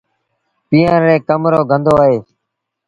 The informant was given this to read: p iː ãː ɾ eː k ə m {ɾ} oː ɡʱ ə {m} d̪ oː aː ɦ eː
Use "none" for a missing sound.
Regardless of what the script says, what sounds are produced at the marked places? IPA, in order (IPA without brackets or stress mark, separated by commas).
ɾ, n